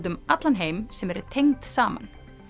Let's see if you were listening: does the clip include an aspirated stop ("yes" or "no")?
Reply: yes